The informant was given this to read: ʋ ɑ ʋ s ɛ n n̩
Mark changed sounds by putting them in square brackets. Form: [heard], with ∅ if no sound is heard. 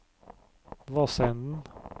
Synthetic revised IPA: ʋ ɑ [∅] s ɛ n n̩